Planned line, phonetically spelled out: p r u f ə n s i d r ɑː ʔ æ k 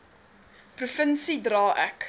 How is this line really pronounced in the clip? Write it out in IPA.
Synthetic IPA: p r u f ə n s i d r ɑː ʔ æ k